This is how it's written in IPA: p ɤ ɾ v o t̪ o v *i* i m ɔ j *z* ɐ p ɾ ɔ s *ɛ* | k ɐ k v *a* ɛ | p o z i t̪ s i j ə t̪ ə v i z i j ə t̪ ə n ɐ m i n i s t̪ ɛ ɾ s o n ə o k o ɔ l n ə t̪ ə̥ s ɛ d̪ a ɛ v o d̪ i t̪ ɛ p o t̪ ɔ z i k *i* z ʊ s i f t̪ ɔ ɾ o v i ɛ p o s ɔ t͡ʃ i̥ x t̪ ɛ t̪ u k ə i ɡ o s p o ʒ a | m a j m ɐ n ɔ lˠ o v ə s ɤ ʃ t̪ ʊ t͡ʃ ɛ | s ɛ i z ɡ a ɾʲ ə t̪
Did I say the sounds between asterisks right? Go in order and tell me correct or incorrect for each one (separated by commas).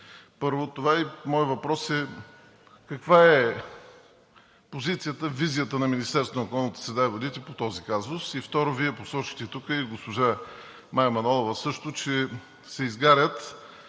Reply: incorrect, incorrect, correct, correct, incorrect